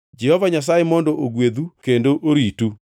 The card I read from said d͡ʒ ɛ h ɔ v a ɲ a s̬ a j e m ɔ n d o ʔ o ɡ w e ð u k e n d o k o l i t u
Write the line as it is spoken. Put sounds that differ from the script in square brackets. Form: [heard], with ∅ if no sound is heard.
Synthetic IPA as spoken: d͡ʒ ɛ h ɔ v a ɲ a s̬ a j e m ɔ n d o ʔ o ɡ w e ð u k e n d o [ʔ] o [ɾ] i t u